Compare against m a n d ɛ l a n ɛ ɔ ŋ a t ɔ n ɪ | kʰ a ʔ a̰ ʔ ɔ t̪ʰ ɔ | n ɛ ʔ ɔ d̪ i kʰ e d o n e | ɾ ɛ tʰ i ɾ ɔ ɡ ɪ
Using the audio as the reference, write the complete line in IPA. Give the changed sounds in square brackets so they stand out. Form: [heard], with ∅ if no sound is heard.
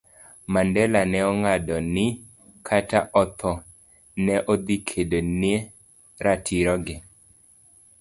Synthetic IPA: m a n d ɛ l a n ɛ ɔ ŋ a [d] ɔ n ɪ | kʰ a [t] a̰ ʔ ɔ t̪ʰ ɔ | n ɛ ʔ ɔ d̪ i kʰ e d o n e | ɾ [a] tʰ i ɾ ɔ ɡ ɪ